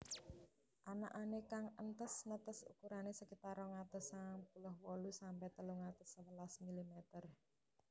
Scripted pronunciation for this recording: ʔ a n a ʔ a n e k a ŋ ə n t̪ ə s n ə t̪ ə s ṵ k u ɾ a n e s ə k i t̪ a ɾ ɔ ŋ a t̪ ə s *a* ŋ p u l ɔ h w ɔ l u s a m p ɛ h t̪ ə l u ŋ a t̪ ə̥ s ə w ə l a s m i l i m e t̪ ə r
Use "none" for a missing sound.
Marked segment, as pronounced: a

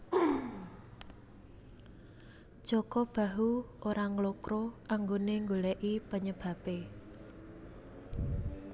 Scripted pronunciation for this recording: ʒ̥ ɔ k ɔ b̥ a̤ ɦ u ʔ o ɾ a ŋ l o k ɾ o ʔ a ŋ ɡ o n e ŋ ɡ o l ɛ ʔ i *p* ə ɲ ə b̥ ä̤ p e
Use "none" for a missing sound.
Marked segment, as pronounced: p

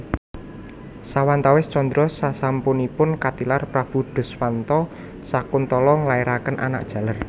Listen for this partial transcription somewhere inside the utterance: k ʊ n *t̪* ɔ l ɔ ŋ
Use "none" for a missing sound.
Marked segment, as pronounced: t̪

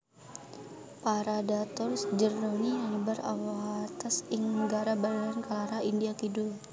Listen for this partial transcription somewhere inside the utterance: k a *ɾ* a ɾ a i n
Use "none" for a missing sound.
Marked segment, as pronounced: l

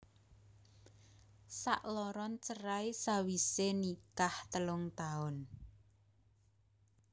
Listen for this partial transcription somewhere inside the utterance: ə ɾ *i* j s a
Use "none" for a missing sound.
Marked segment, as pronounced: a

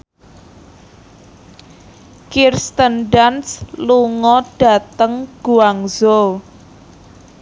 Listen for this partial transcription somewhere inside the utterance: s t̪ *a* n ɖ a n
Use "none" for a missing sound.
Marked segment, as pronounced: ə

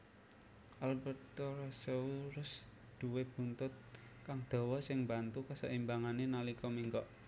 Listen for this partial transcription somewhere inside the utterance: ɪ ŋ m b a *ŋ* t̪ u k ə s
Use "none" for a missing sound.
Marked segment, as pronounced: n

